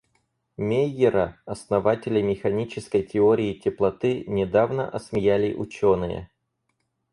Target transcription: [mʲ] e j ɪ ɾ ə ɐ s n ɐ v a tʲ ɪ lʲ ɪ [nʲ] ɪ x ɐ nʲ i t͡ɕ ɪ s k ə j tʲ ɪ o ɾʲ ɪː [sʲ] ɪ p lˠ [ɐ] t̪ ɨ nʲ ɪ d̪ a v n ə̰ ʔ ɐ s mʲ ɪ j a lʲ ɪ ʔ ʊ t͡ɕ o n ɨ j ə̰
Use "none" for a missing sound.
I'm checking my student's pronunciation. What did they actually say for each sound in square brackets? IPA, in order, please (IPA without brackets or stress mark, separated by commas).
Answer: mʲ, mʲ, tʲ, ɐ